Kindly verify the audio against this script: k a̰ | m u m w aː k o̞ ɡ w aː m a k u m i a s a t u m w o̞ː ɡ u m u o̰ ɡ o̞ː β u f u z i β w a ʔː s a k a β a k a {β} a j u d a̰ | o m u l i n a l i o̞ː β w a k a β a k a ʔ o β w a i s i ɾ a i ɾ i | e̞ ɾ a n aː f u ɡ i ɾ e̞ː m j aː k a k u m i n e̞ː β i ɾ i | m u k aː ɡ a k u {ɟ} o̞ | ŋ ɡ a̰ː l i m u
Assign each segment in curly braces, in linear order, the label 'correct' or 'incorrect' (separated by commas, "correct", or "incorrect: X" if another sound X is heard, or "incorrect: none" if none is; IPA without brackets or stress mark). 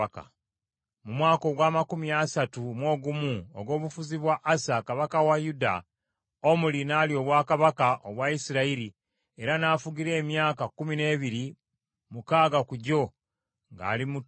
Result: incorrect: w, correct